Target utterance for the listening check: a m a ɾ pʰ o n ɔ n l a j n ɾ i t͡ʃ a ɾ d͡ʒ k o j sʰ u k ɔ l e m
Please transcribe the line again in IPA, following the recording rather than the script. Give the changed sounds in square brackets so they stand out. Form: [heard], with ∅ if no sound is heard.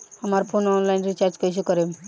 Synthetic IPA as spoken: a m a ɾ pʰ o n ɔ n l a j n ɾ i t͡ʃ a ɾ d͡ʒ k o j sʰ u k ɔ [ɾ] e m

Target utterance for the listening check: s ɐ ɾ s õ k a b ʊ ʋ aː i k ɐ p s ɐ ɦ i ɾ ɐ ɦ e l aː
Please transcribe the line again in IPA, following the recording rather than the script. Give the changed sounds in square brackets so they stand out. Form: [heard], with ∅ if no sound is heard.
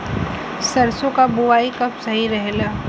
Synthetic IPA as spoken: s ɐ ɾ s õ k a b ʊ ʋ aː i k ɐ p s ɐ ɦ i ɾ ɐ ɦ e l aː

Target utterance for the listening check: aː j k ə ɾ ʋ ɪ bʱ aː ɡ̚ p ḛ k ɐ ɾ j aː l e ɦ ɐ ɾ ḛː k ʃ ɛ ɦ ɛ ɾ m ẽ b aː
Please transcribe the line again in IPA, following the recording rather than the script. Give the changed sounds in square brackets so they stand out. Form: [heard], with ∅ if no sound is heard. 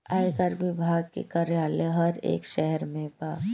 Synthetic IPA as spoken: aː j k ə ɾ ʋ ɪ bʱ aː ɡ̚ [k] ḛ k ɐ ɾ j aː l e ɦ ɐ ɾ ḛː k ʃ ɛ ɦ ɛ ɾ m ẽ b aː

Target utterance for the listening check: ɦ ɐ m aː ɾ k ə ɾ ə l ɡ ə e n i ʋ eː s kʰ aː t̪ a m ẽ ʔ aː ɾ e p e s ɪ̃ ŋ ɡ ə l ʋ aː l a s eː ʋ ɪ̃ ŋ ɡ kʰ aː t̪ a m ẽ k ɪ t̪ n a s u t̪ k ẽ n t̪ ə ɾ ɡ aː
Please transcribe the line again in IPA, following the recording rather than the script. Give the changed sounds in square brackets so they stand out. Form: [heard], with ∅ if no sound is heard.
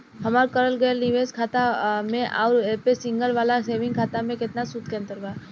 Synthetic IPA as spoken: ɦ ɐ m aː ɾ k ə ɾ ə l ɡ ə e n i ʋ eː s kʰ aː t̪ a m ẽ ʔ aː ɾ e p e s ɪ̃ ŋ ɡ ə l ʋ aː l a s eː ʋ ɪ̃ ŋ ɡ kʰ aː t̪ a m ẽ k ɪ t̪ n a s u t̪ k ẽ n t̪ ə ɾ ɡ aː

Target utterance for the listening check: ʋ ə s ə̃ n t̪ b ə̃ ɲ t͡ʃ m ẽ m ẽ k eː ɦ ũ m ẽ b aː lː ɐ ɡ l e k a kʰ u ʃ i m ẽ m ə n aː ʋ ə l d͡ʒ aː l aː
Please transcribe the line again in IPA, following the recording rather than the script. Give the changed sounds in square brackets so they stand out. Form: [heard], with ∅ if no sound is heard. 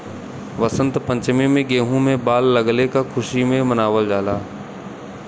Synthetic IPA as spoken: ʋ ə s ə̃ n t̪ [p] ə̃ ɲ t͡ʃ m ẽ m ẽ [ɡ] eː ɦ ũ m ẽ b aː lː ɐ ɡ l e k a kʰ [ʊ] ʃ i m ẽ m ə n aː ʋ ə l d͡ʒ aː l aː

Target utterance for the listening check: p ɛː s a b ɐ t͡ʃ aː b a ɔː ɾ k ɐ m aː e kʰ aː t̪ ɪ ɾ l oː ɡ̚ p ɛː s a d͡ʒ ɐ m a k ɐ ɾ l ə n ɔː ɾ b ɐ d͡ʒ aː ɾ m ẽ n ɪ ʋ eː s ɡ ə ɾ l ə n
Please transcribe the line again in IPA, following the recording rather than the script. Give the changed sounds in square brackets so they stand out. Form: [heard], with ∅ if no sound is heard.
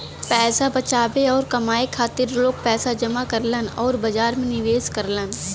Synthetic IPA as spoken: p ɛː s a b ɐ t͡ʃ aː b [e] ɔː ɾ k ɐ m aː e kʰ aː t̪ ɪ ɾ l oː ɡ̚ p ɛː s a d͡ʒ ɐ m a k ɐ ɾ l ə n ɔː ɾ b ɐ d͡ʒ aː ɾ m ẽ n ɪ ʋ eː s [k] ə ɾ l ə n

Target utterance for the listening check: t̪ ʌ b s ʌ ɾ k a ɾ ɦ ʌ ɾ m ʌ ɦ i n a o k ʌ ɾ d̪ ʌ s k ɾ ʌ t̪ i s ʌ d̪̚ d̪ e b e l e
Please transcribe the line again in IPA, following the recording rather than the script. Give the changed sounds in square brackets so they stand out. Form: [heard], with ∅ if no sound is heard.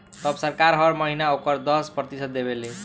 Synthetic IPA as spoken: t̪ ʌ b s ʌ ɾ k a ɾ ɦ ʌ ɾ m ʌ ɦ i n a o k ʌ ɾ d̪ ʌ s [p] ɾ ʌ t̪ i s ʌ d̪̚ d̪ e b e l e

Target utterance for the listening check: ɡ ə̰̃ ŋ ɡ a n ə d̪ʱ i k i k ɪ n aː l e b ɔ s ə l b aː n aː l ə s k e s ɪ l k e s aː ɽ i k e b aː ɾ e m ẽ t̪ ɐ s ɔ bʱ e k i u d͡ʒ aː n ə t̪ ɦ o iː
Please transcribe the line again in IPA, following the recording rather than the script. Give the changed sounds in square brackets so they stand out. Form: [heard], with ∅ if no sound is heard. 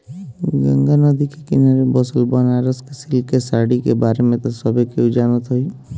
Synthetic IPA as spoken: ɡ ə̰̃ ŋ ɡ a n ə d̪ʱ i k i k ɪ n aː [ɾ] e b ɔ s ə l b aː n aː [ɾ] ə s k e s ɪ l k e s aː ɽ i k e b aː ɾ e m ẽ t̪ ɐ s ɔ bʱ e k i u d͡ʒ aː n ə t̪ ɦ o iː

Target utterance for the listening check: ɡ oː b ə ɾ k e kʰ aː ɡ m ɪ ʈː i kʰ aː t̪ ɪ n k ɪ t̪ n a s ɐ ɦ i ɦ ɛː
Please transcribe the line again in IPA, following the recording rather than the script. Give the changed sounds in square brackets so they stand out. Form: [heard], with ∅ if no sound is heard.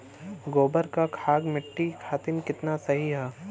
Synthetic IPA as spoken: ɡ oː b ə ɾ k [a] kʰ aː ɡ m ɪ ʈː i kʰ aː t̪ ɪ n k ɪ t̪ n a s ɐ ɦ i ɦ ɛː

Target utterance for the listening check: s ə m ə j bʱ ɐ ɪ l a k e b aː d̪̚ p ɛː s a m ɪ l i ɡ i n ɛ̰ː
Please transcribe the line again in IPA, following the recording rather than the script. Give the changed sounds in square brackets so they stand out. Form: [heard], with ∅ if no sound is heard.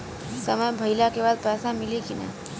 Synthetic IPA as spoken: s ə m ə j bʱ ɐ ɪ l a k e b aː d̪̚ p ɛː s a m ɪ l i [k] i n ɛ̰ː

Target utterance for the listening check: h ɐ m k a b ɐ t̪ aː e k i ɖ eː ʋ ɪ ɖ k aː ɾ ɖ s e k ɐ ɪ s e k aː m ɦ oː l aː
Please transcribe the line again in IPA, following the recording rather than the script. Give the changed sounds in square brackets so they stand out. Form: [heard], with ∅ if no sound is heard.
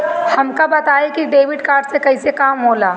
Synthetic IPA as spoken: h ɐ m k a b ɐ t̪ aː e k i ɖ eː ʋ ɪ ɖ k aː ɾ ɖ s e k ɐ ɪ s e k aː m ɦ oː l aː

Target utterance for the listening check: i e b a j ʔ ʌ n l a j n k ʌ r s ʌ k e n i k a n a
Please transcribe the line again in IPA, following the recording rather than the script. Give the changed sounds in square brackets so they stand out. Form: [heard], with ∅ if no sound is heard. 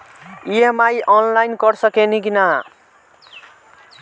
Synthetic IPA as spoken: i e [m] a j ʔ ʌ n l a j n k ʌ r s ʌ k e n i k [i] n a

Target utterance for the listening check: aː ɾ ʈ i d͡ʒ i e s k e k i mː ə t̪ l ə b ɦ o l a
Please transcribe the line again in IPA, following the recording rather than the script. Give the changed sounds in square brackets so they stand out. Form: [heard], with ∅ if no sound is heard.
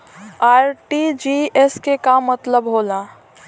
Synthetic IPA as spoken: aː ɾ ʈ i d͡ʒ i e s k e k [a] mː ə t̪ l ə b ɦ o l a

